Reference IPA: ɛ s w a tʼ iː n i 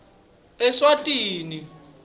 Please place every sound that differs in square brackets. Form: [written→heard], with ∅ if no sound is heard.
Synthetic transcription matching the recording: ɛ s w a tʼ iː n i